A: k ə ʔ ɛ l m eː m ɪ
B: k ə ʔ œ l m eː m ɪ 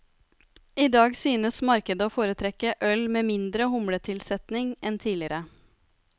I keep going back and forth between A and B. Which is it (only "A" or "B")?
B